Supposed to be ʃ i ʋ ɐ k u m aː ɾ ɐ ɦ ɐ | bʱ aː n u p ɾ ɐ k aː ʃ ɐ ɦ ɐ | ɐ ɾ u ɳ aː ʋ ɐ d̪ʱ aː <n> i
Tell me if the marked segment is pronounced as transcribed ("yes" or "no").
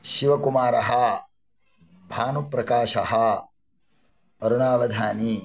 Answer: yes